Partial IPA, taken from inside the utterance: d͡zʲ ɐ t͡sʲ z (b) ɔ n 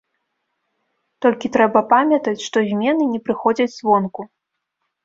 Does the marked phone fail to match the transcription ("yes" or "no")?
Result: yes